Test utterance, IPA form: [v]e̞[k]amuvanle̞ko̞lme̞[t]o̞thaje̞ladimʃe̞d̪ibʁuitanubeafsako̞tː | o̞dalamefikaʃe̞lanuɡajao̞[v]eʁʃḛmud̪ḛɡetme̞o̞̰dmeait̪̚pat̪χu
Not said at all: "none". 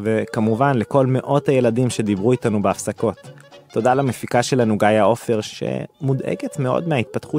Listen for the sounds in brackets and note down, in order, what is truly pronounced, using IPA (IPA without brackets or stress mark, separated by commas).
v, k, ʔ, f